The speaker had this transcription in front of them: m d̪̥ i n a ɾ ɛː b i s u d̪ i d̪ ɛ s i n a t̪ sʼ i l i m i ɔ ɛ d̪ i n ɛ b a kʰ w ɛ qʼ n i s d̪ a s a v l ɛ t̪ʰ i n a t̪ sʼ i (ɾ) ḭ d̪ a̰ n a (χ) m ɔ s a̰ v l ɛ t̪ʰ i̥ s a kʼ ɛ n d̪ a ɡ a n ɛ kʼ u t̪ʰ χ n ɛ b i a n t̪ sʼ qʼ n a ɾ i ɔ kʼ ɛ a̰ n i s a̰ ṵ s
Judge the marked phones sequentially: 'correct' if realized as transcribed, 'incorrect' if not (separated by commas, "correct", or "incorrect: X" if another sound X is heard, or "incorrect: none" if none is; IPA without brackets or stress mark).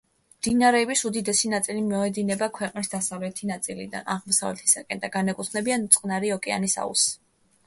incorrect: l, incorrect: ʁ